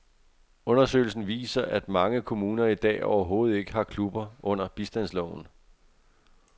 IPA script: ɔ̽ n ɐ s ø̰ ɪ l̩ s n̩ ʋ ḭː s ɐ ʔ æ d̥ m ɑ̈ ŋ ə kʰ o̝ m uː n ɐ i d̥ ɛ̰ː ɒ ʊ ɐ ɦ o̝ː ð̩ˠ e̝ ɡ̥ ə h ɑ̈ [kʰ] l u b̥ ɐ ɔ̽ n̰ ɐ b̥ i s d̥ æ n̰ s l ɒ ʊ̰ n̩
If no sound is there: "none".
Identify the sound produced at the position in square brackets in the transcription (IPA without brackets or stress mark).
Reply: kʰ